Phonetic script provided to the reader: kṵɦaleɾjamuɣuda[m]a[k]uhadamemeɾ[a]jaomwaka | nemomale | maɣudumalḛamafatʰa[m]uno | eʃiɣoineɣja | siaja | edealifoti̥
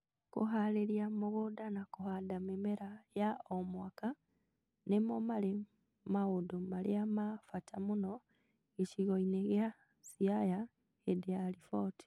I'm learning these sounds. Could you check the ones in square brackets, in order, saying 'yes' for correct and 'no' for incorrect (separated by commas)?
no, yes, yes, yes